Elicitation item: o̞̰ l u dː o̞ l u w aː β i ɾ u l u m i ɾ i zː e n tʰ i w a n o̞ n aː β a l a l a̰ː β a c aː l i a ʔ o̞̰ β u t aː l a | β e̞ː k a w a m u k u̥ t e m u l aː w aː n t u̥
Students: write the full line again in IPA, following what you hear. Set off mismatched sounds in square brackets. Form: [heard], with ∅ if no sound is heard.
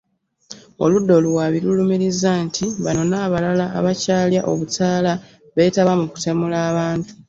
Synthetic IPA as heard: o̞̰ l u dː o̞ l u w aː β i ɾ u l u m i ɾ i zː [a] n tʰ i [β] a n o̞ n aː β a l a l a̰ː β a c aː l [j] a ʔ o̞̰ β u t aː l a | β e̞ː [t] a [β] a m u k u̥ t e m u l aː [β] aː n t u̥